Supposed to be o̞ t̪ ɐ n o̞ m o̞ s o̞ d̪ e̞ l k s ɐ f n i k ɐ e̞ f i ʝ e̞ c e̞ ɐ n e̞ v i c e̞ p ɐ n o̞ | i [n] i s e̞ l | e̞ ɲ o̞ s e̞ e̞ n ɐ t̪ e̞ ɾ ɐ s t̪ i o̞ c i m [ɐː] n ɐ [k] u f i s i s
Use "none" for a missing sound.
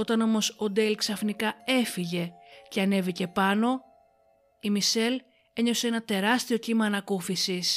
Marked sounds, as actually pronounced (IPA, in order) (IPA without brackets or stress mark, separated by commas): m, ɐː, k